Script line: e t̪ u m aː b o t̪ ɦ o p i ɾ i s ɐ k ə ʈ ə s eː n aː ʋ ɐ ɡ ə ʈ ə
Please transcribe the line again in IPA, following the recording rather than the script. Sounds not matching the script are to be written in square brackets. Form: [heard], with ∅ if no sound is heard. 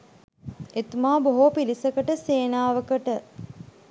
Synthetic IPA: e t̪ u m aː b o [∅] ɦ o p i [l] i s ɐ k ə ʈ ə s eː n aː ʋ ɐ [k] ə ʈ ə

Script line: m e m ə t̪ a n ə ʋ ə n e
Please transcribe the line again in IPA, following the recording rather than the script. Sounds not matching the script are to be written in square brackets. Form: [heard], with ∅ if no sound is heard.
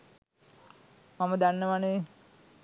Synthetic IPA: m [a] m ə [d̪] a [nː] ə ʋ [a] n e

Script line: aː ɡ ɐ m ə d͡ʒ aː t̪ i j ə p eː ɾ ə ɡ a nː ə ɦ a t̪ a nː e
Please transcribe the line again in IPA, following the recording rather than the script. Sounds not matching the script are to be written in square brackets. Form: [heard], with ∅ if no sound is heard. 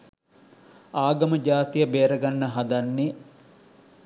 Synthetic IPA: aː ɡ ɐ m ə d͡ʒ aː t̪ i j ə [b] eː ɾ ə ɡ a nː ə ɦ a [d̪] a nː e

